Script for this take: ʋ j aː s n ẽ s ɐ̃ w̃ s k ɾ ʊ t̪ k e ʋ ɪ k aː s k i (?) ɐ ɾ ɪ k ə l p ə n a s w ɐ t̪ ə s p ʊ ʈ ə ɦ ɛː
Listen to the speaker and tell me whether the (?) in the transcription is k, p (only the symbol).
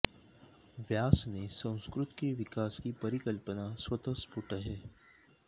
p